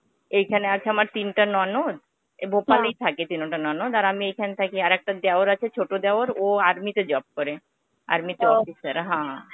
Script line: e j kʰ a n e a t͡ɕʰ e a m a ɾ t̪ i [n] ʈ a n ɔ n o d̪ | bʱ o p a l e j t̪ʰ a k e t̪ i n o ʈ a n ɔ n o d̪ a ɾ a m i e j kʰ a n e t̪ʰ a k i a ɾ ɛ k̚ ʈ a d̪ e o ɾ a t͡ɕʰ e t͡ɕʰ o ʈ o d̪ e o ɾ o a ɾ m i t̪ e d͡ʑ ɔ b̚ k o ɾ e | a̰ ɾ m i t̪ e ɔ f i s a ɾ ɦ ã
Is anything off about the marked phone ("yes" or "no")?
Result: no